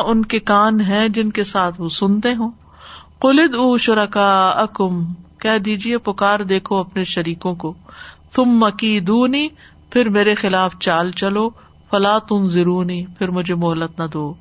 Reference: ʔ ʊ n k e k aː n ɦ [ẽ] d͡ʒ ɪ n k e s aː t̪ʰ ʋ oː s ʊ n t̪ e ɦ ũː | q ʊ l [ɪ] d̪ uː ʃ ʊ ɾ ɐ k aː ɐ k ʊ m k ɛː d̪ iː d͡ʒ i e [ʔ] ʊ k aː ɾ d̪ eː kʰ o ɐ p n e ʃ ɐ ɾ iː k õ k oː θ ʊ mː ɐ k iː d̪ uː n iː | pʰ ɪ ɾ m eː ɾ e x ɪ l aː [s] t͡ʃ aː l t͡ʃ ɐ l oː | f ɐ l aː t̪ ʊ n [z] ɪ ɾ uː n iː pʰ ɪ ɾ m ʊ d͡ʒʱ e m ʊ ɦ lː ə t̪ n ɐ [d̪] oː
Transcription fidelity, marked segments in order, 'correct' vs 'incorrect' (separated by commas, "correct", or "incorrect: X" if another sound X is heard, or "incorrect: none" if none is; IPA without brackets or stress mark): incorrect: ɛ̃, correct, incorrect: p, incorrect: f, correct, correct